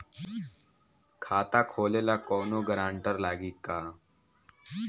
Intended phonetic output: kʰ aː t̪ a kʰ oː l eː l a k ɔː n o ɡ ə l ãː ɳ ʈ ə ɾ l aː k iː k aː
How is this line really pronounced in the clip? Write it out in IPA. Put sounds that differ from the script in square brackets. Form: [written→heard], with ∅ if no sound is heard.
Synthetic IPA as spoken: kʰ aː t̪ a kʰ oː l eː l a k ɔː n o ɡ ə [l→ɾ] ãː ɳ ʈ ə ɾ l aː [k→ɡ] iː k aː

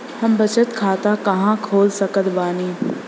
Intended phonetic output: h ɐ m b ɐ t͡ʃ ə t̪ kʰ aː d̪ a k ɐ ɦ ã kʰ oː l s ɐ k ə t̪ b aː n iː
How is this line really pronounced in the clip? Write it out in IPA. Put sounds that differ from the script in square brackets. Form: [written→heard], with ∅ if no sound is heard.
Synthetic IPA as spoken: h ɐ m b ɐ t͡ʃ ə t̪ kʰ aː [d̪→t̪] a k ɐ ɦ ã kʰ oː l s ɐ k ə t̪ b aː n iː

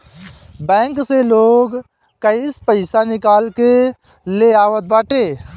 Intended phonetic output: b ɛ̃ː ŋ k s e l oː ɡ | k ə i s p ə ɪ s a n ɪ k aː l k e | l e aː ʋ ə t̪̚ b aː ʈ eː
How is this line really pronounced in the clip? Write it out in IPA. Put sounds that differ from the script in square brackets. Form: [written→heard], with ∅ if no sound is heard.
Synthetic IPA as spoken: b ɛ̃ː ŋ k s e l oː ɡ | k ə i s p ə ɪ s a n ɪ k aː l k e | l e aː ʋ ə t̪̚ b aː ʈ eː

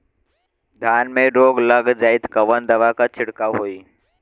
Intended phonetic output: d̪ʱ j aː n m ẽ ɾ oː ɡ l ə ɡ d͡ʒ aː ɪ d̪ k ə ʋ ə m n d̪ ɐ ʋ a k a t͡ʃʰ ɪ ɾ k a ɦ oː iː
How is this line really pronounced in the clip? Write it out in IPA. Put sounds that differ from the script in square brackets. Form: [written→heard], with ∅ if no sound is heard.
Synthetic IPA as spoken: d̪ʱ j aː n m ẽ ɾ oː ɡ l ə ɡ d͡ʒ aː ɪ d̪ k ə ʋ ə [m→∅] n d̪ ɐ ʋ a k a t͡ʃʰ ɪ [ɾ→ɽ] k a ɦ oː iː

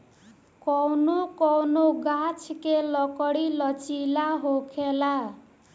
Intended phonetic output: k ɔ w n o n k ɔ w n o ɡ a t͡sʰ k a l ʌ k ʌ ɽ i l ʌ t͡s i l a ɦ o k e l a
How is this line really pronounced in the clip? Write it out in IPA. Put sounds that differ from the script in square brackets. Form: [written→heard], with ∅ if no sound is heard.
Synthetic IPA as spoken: k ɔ w n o [n→∅] k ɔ w n o ɡ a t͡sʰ k [a→e] l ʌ k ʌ ɽ i l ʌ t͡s i l a ɦ o [k→kʰ] e l a

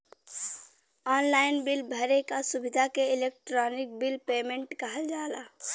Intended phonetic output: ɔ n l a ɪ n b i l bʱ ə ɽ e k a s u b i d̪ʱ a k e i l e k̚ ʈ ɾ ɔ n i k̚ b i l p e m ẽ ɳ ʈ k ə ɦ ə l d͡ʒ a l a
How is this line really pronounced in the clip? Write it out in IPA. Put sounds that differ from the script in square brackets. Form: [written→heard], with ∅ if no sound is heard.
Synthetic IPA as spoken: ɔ n l a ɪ n b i l bʱ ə [ɽ→ɾ] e k a s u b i d̪ʱ a k e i l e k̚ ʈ ɾ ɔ n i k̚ b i l p e m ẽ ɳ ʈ k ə ɦ ə l d͡ʒ a l a

